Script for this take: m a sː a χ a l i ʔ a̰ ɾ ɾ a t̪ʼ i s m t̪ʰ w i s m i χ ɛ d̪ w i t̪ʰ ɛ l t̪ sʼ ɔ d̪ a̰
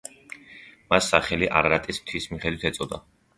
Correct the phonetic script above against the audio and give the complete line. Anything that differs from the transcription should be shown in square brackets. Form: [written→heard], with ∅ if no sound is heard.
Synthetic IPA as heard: m a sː a χ [a→ɛ] l i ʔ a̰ ɾ ɾ a t̪ʼ i s m t̪ʰ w i s m i χ ɛ d̪ w i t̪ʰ ɛ [l→∅] t̪ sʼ ɔ d̪ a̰

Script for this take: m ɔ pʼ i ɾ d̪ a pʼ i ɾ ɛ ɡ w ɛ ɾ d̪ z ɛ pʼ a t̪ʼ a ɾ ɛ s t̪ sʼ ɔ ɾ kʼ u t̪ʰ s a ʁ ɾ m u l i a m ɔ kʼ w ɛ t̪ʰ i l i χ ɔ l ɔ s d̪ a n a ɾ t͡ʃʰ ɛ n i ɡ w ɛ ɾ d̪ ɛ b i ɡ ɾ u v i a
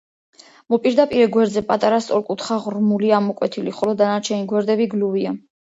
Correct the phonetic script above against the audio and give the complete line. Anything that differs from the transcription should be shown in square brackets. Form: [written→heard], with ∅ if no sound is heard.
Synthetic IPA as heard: m ɔ pʼ i ɾ d̪ a pʼ i ɾ ɛ ɡ w ɛ ɾ d̪ z ɛ pʼ a t̪ʼ a ɾ [ɛ→a] s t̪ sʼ ɔ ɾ kʼ u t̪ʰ [s→χ] a ʁ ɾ m u l i a m ɔ kʼ w ɛ t̪ʰ i l i χ ɔ l ɔ [s→∅] d̪ a n a ɾ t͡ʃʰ ɛ n i ɡ w ɛ ɾ d̪ ɛ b i ɡ [ɾ→l] u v i a

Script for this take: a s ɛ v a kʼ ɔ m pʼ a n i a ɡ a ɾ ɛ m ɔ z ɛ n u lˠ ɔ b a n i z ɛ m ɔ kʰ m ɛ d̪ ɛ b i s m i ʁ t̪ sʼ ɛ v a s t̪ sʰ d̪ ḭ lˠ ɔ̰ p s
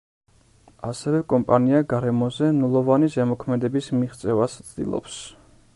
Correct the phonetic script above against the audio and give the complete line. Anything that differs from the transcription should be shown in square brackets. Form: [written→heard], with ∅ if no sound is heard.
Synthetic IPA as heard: a s ɛ v [a→ɛ] kʼ ɔ m pʼ a n i a ɡ a ɾ ɛ m ɔ z ɛ n u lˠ ɔ [b→v] a n i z ɛ m ɔ kʰ m ɛ d̪ ɛ b i s m i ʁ t̪ sʼ ɛ v a s t̪ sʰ d̪ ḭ lˠ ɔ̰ p s

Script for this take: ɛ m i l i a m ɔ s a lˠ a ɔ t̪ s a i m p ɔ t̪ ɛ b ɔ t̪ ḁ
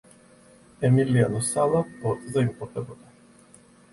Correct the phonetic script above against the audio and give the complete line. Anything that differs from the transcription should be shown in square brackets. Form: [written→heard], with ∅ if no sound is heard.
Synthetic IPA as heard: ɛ m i l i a [m→n] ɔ s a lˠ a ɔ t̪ [s→z] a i m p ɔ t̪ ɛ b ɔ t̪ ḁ

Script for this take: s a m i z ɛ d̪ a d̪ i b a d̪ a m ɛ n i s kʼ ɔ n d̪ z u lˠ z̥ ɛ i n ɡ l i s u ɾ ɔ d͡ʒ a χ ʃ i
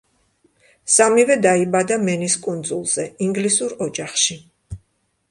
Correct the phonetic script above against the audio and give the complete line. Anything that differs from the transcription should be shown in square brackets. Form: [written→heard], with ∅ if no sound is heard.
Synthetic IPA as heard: s a m i [z→v] ɛ d̪ a [d̪→∅] i b a d̪ a m ɛ n i s kʼ [ɔ→u] n d̪ z u lˠ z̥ ɛ i [n→ŋ] ɡ l i s u ɾ ɔ d͡ʒ a χ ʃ i

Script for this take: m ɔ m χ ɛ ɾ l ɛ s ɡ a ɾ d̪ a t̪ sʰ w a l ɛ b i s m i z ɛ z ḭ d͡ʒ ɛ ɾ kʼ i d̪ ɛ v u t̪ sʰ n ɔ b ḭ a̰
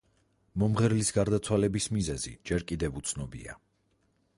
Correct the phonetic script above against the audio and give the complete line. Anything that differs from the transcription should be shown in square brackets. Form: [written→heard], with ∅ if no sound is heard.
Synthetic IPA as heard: m ɔ m [χ→ʁ] ɛ ɾ l [ɛ→i] s ɡ a ɾ d̪ a t̪ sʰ w a l ɛ b i s m i z ɛ z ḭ d͡ʒ ɛ ɾ kʼ i d̪ ɛ v u t̪ sʰ n ɔ b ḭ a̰

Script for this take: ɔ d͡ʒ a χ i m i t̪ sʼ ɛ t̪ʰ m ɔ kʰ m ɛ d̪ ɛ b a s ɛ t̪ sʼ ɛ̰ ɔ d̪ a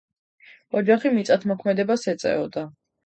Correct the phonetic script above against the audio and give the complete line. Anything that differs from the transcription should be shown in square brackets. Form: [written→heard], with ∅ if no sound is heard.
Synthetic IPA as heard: ɔ d͡ʒ a χ i m i t̪ sʼ [ɛ→a] t̪ʰ m ɔ kʰ m ɛ d̪ ɛ b a s ɛ t̪ sʼ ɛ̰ ɔ d̪ a

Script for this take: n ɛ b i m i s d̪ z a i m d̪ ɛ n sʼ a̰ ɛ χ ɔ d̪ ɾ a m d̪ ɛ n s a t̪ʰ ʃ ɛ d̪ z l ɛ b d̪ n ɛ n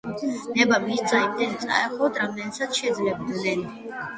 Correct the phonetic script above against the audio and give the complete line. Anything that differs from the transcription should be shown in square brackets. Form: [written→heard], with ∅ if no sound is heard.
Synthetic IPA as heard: n ɛ b [i→a] m i s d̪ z a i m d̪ ɛ n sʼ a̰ ɛ χ ɔ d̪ ɾ a m d̪ ɛ n s a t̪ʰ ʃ ɛ d̪ z l ɛ b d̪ n ɛ n

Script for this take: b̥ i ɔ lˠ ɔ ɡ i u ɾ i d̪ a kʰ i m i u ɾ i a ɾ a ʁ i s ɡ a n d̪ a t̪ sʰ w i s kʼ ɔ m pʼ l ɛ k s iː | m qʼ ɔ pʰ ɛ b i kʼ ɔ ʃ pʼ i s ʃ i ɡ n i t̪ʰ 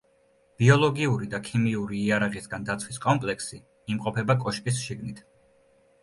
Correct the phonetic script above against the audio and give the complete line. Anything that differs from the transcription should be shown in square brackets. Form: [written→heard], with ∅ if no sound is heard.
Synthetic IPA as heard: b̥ i ɔ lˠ ɔ ɡ i u ɾ i d̪ a kʰ i m i u ɾ [i→iː] a ɾ a ʁ i s ɡ a n d̪ a t̪ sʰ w i s kʼ ɔ m pʼ l ɛ k s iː | m qʼ ɔ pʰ ɛ b [i→a] kʼ ɔ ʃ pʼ i s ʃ i ɡ n i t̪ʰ

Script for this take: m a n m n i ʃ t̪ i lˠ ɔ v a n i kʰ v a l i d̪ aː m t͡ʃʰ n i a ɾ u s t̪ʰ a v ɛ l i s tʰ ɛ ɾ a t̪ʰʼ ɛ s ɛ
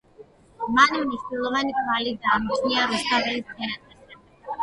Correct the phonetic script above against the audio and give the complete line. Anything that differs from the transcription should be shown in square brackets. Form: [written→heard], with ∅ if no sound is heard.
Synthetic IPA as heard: m a n m n i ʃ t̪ i lˠ ɔ v a n i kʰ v a l i d̪ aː m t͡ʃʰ n i a ɾ u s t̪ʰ a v ɛ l i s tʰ ɛ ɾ a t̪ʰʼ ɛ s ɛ

